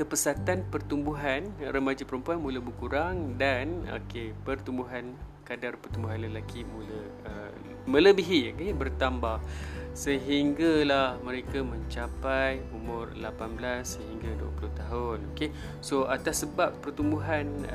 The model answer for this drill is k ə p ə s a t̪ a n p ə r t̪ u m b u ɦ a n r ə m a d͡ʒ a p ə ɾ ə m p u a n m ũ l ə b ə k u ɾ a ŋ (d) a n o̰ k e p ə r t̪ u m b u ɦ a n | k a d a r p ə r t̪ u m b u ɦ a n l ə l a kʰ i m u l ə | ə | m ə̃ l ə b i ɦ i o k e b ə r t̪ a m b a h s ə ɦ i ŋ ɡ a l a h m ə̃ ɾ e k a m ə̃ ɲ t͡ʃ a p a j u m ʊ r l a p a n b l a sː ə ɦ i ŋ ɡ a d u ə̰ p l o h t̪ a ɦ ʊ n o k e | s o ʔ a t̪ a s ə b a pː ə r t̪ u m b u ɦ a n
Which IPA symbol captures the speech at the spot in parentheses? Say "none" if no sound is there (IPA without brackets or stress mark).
d